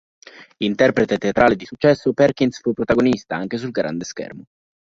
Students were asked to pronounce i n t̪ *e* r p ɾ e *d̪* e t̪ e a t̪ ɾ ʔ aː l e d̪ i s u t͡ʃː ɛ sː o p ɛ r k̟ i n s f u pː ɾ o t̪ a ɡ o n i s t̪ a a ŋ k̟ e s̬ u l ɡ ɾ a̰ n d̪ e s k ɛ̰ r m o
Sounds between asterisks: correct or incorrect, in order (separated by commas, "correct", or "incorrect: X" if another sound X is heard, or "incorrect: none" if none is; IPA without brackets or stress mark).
incorrect: ɛ, incorrect: t̪